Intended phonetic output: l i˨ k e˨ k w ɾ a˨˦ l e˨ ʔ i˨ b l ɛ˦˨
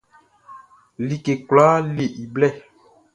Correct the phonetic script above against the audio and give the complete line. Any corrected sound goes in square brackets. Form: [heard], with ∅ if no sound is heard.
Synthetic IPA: l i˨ k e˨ k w [l] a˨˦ l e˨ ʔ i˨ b l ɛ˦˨